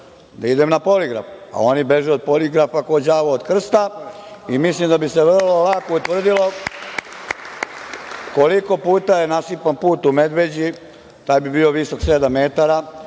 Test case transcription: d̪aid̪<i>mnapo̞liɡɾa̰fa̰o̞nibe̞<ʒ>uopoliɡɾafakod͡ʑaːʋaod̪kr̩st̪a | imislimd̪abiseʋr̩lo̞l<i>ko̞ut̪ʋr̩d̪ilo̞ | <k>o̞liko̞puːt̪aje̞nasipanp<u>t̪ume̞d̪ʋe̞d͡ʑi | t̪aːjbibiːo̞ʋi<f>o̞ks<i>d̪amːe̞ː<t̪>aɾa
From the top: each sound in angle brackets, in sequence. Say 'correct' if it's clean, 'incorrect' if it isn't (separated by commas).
incorrect, correct, incorrect, correct, incorrect, incorrect, incorrect, correct